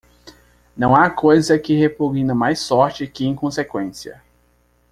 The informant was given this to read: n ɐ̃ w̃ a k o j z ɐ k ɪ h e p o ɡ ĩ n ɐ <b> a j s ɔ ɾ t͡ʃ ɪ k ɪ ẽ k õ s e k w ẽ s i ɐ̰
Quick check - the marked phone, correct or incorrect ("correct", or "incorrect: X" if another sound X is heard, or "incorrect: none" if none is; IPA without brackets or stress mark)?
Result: incorrect: m